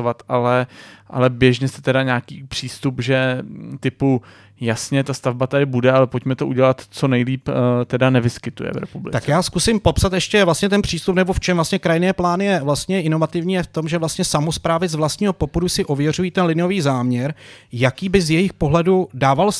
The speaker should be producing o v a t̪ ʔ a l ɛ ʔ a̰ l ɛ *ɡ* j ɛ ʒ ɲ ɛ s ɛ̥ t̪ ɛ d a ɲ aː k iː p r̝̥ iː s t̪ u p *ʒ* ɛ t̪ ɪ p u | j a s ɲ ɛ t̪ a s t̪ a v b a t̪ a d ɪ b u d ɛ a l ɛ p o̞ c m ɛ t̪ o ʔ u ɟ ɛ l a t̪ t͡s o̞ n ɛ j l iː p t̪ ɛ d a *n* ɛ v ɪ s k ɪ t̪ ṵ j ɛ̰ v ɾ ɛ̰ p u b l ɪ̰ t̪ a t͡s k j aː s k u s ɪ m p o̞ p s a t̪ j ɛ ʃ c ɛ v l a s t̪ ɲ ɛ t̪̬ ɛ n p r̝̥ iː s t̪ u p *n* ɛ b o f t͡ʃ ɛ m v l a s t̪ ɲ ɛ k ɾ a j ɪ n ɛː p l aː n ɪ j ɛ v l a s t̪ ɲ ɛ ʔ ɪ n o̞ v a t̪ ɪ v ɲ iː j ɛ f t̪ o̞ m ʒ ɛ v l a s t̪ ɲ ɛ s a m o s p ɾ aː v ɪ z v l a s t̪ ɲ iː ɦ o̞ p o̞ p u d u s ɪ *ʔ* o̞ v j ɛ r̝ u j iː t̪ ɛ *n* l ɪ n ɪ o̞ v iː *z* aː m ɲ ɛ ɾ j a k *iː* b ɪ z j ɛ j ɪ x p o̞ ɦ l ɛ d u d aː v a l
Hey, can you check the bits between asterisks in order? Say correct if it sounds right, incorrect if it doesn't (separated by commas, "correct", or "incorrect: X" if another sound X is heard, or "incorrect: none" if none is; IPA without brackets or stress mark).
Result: incorrect: b, correct, correct, correct, correct, correct, correct, correct